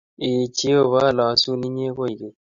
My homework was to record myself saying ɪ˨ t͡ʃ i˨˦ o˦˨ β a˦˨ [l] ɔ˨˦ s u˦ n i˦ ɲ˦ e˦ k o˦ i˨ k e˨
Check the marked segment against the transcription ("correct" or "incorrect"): correct